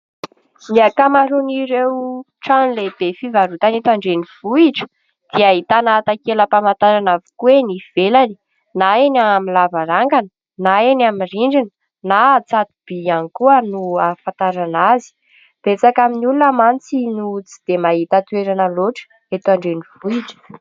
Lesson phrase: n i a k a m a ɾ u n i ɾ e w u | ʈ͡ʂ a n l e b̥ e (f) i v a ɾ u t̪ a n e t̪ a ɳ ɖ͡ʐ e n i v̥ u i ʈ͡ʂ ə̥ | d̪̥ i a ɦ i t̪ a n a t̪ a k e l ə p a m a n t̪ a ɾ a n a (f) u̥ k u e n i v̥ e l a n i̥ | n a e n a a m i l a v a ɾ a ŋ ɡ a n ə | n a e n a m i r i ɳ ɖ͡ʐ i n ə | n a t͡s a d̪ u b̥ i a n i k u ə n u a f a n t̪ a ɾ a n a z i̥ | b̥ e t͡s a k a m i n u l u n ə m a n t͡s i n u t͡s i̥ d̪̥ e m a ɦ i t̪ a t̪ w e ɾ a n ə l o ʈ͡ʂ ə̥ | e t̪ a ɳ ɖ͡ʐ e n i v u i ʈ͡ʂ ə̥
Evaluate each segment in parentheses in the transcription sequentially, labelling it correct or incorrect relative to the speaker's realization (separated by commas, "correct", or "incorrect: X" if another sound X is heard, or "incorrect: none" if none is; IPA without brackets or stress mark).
correct, incorrect: v